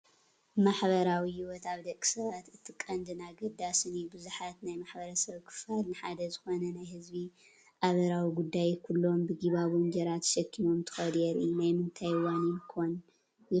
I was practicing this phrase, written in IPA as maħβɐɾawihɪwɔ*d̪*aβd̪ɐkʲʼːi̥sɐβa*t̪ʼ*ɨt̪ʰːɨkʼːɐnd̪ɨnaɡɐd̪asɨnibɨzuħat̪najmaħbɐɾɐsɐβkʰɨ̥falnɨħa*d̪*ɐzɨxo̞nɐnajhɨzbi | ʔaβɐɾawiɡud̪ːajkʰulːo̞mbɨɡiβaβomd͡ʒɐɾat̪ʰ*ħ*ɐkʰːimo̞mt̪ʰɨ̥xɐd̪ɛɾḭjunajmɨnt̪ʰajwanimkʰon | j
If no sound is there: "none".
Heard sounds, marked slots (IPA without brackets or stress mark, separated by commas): t̪, t̪, d̪, ʃ